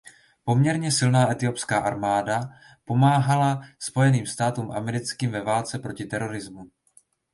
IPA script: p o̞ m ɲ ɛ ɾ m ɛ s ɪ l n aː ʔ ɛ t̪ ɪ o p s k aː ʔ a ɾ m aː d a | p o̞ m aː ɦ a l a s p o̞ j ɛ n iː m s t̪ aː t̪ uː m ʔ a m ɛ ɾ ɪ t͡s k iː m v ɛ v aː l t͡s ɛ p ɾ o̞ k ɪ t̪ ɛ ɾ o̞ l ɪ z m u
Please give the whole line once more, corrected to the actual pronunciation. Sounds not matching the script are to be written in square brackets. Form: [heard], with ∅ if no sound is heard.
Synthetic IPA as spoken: p o̞ m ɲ ɛ ɾ [ɲ] ɛ s ɪ l n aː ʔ ɛ t̪ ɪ o p s k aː ʔ a ɾ m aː d a | p o̞ m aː ɦ a l a s p o̞ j ɛ n iː m s t̪ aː t̪ uː m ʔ a m ɛ ɾ ɪ t͡s k iː m v ɛ v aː l t͡s ɛ p ɾ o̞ [c] ɪ t̪ ɛ ɾ o̞ [ɾ] ɪ z m u